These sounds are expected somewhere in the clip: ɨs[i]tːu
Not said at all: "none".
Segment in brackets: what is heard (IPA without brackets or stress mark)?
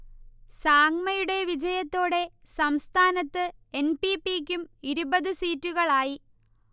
iː